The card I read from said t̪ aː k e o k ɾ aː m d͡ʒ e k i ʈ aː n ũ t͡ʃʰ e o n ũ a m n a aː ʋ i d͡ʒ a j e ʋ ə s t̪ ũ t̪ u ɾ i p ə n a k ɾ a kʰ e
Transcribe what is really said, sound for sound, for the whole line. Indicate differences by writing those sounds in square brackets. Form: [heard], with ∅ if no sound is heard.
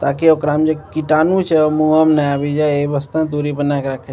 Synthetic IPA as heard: t̪ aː k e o k ɾ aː m d͡ʒ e k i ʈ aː n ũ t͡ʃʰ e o [m] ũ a m n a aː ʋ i d͡ʒ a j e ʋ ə s t̪ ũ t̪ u ɾ i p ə n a k ɾ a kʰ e